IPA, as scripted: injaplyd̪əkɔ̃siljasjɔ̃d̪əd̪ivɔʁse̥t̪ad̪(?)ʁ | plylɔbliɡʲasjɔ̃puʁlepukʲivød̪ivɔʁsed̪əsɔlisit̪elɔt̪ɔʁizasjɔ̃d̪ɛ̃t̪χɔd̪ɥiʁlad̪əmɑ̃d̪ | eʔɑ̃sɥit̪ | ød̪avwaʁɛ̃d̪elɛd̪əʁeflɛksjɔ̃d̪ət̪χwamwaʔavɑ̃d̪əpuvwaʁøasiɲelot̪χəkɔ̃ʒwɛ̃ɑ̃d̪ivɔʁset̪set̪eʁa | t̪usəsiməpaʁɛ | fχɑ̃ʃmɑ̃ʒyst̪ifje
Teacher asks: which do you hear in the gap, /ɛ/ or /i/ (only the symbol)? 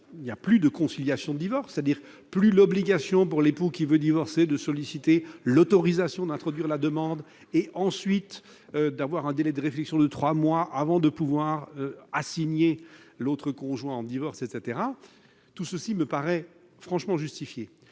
i